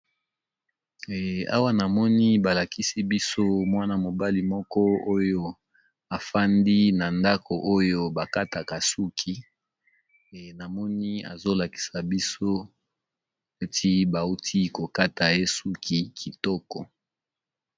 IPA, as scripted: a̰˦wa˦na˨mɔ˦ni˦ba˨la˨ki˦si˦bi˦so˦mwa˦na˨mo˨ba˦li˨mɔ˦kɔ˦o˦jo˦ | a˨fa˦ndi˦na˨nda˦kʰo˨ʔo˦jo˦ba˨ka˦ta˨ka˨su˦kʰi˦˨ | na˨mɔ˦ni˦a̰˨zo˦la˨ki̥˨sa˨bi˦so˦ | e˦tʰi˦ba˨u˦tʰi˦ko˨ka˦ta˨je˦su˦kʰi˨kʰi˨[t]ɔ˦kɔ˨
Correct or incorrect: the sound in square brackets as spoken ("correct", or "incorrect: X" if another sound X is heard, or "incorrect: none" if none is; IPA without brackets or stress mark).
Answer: correct